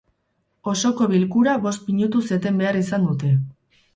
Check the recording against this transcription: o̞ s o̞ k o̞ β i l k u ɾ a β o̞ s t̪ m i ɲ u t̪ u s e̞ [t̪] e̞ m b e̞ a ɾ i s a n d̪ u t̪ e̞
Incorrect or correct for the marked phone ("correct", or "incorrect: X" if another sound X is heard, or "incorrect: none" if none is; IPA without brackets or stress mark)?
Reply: correct